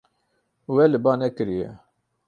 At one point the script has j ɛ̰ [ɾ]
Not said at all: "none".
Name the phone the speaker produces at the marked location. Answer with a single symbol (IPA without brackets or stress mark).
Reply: none